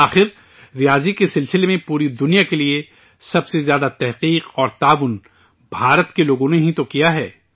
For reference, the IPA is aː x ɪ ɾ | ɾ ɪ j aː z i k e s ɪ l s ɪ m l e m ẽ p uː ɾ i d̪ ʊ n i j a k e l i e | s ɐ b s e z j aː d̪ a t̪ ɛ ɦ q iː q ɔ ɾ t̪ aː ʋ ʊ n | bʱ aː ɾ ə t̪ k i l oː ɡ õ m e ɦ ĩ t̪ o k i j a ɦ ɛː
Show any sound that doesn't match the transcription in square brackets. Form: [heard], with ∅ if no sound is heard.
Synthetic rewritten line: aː x ɪ ɾ | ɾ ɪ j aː z i k e s ɪ l s ɪ [∅] l e m ẽ p uː ɾ i d̪ ʊ n i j a k e l i e | s ɐ b s e z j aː d̪ a t̪ ɛ ɦ q iː q [ɔː] ɾ t̪ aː ʋ ʊ n | bʱ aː ɾ ə t̪ k [e] l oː ɡ õ [n] e ɦ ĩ t̪ o k i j a ɦ ɛː